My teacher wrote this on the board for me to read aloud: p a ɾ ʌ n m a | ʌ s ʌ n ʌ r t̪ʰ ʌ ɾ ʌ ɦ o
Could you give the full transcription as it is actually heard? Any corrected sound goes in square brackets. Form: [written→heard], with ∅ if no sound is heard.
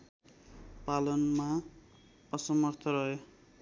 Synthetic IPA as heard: p a [ɾ→l] ʌ n m a | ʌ s ʌ [n→m] ʌ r t̪ʰ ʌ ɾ ʌ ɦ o